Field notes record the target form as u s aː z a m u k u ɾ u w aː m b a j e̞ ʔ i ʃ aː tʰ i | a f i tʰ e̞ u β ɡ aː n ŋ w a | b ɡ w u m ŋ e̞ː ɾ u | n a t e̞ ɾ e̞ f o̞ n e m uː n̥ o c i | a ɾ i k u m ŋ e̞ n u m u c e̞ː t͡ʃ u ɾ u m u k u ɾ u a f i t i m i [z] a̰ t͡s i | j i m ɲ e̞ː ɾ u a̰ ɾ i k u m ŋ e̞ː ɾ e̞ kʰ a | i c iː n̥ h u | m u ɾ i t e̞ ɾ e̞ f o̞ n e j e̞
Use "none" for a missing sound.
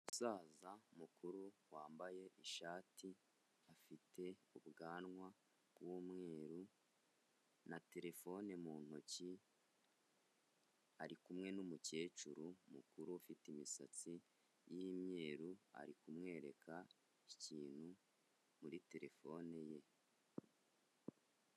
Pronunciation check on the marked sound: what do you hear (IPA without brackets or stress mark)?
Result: s